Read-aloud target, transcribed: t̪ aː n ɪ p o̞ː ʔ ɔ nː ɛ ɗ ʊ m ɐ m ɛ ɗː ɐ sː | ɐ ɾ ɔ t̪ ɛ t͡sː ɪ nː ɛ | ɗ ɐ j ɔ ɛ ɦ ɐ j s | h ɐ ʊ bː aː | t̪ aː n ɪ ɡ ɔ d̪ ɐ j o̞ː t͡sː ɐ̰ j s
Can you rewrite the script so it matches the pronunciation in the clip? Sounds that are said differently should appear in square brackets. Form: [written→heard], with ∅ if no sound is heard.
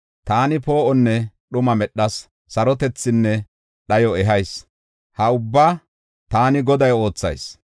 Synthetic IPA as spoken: t̪ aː n ɪ p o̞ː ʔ ɔ nː ɛ ɗ ʊ m ɐ m ɛ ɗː ɐ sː | ɐ ɾ ɔ t̪ ɛ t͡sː ɪ nː ɛ | ɗ ɐ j ɔ ɛ ɦ ɐ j s | h ɐ ʊ bː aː | t̪ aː n ɪ ɡ ɔ d̪ ɐ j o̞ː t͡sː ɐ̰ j s